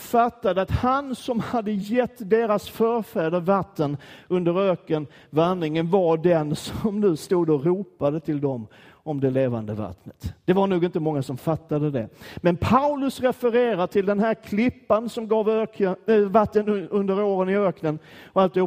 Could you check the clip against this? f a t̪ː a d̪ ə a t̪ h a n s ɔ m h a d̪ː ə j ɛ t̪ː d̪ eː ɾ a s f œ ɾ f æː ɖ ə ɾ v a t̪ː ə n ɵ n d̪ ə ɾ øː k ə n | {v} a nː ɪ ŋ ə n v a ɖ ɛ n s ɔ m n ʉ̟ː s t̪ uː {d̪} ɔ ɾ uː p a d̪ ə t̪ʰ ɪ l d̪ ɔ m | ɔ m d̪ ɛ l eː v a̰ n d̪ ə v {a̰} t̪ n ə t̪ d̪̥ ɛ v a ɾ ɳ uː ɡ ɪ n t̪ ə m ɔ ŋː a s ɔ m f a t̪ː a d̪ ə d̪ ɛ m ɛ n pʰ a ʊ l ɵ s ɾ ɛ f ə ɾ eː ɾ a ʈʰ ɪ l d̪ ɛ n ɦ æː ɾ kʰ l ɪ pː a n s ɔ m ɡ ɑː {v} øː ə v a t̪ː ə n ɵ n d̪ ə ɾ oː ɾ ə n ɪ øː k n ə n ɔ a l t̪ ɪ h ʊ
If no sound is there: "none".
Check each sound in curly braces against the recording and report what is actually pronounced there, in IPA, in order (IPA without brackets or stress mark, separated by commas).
v, d̪, a̰, v